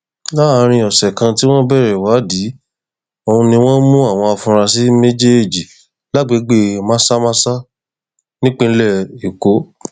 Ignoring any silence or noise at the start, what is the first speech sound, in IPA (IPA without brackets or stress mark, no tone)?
l